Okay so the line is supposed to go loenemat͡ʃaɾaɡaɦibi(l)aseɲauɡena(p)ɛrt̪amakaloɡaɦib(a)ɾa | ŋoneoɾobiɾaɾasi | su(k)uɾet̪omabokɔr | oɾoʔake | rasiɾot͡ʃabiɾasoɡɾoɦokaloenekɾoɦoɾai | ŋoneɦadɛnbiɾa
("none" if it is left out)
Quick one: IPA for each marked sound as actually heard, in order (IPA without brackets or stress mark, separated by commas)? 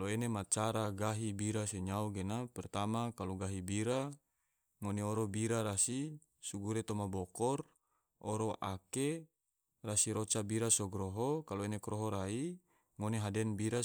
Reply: ɾ, p, i, ɡ